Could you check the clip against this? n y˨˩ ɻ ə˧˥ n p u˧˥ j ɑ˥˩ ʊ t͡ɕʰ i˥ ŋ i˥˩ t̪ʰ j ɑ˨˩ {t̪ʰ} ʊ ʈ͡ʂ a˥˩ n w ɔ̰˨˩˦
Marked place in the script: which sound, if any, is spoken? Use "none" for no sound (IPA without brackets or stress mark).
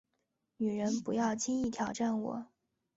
none